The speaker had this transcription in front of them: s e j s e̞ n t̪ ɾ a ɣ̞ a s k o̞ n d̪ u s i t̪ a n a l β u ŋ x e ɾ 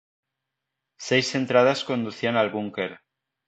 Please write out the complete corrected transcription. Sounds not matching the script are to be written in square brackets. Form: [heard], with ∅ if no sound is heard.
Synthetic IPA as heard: s e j s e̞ n t̪ ɾ a [ð̞] a s k o̞ n d̪ u [θ] i [∅] a n a l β u ŋ [k] e ɾ